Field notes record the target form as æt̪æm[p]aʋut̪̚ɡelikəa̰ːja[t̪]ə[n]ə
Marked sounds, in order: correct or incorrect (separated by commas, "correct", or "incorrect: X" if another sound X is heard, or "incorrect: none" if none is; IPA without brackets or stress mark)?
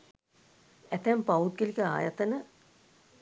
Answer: correct, correct, correct